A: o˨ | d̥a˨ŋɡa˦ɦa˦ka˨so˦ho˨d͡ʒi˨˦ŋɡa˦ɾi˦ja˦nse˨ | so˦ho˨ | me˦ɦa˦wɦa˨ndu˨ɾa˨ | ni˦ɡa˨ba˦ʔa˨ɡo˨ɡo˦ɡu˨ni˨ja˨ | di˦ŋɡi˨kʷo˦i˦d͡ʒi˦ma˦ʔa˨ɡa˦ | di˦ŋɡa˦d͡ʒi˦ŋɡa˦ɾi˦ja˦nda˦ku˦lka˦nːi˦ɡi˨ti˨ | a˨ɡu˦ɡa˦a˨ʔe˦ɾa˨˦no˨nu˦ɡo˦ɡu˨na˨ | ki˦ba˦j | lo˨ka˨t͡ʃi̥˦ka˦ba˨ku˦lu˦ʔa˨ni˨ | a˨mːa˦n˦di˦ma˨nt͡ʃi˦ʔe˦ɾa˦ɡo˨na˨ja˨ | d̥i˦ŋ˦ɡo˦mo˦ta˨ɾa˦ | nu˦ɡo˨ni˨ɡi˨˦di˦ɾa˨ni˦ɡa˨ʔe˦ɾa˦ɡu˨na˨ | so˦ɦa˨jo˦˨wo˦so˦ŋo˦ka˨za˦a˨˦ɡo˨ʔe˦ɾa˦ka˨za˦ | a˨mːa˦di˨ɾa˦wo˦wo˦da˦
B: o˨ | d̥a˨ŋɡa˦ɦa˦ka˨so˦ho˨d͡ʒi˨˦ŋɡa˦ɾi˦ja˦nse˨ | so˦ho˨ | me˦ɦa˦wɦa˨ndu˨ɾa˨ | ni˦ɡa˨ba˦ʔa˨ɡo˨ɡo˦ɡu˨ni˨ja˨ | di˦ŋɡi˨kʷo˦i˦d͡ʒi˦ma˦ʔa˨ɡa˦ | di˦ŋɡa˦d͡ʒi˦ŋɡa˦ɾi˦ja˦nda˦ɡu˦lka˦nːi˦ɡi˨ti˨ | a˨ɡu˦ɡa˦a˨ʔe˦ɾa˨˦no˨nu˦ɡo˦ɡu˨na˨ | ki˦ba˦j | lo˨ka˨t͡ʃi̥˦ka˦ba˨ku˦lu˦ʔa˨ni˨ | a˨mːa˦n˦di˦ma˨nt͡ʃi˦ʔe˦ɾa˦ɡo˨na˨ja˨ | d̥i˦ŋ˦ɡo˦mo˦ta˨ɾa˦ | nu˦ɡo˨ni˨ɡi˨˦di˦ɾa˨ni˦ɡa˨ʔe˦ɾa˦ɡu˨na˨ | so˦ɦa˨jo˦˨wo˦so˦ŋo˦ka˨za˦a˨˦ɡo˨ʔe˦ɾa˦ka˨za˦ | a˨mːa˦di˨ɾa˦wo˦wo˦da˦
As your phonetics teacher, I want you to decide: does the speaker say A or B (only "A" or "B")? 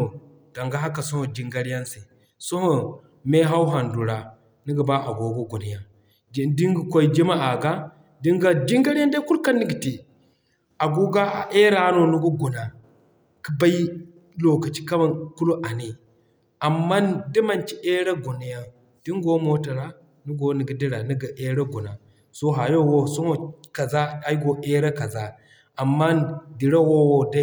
A